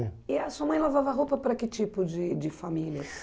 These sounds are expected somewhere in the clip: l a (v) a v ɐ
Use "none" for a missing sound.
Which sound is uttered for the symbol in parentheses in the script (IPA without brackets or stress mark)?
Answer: v